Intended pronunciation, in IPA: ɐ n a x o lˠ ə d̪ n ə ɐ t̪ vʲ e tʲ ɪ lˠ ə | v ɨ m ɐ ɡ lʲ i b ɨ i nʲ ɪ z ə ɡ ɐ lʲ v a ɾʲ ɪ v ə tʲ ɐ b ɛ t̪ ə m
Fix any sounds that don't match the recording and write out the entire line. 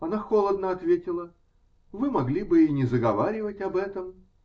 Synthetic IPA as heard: ɐ n a x o lˠ ə d̪ n ə ɐ t̪ vʲ e tʲ ɪ lˠ ə | v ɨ m ɐ ɡ lʲ i b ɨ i nʲ ɪ z ə ɡ ɐ v a ɾʲ ɪ v ə tʲ ɐ b ɛ t̪ ə m